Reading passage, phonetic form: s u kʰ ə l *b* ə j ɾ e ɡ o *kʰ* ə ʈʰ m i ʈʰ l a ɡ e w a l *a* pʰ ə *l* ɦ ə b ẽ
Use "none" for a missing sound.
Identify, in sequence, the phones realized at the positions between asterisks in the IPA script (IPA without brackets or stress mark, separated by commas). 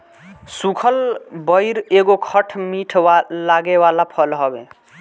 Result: b, kʰ, a, l